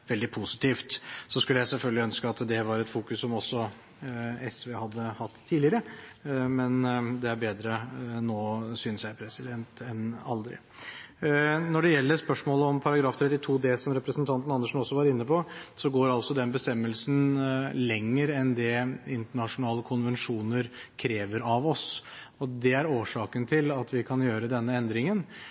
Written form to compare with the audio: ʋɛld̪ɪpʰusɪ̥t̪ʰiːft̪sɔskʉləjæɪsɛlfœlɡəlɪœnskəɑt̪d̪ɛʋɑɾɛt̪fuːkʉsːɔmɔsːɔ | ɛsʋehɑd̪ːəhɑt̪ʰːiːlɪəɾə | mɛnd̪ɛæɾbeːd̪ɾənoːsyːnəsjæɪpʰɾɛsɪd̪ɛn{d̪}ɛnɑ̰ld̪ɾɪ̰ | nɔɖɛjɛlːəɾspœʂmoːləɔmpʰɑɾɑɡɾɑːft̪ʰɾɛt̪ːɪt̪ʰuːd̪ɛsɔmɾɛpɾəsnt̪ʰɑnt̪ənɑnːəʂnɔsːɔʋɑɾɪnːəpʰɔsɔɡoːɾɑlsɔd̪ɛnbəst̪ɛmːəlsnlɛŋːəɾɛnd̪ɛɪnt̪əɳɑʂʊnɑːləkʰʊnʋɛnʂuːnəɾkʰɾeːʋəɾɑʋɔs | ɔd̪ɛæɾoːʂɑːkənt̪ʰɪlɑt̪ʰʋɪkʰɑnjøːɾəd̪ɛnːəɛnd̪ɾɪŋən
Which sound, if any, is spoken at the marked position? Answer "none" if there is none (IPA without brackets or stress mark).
t̪